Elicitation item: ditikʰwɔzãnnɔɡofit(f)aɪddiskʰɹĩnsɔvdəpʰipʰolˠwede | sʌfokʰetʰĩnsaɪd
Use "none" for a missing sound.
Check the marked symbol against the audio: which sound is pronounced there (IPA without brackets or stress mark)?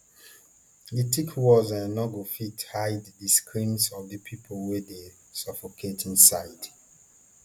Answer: h